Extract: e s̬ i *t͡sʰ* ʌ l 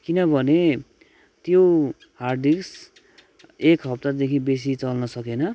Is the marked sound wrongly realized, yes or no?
yes